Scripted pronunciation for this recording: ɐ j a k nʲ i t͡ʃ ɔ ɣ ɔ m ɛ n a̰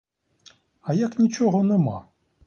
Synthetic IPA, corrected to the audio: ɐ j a k nʲ i t͡ʃ ɔ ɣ ɔ n ɛ m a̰